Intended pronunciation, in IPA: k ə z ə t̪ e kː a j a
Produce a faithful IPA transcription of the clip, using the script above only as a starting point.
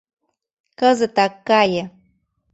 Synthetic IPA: k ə z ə t̪ a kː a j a